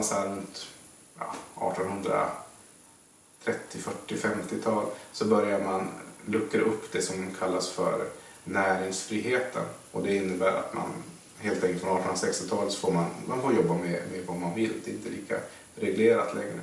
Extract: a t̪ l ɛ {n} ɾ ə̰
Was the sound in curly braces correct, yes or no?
no